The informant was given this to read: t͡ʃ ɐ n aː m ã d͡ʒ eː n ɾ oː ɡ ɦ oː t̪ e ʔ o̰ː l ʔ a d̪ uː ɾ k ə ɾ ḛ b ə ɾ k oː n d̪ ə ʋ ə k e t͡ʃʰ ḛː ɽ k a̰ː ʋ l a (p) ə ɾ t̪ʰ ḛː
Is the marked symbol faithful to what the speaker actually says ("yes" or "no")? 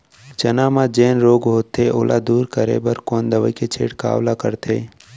no